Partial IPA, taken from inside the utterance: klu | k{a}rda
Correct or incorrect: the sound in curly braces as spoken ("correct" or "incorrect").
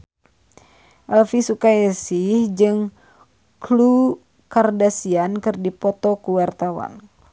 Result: correct